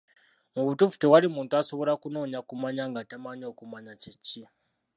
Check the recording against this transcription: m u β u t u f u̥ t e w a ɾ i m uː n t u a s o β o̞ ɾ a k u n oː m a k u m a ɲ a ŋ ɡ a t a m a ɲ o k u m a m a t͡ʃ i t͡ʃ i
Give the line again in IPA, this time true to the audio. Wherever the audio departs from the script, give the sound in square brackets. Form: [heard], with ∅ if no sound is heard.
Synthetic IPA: m u β u t u f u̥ t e w a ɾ i m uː n t u a s o β o̞ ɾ a k u n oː [ɲ] a k u m a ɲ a ŋ ɡ a t a m a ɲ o k u m a [ɲ] a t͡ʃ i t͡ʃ i